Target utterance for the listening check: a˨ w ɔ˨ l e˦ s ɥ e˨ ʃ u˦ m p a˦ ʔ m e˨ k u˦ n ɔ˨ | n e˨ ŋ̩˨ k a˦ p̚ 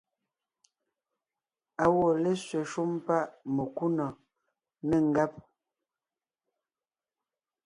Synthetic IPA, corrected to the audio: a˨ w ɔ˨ l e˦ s ɥ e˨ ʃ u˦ m p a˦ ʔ m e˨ k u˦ n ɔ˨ | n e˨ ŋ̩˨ ɡ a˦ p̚